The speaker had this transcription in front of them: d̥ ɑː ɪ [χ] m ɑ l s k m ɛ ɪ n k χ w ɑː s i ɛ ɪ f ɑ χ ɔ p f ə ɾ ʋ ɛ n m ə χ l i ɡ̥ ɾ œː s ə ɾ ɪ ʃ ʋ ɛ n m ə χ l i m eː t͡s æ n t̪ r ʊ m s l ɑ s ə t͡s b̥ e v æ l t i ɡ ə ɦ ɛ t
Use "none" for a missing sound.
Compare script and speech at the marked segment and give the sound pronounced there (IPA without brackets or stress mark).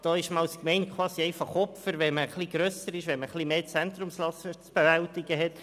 ʃ